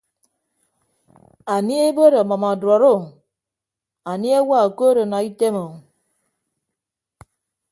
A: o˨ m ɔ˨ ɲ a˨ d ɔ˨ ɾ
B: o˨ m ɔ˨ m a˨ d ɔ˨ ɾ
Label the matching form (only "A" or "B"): B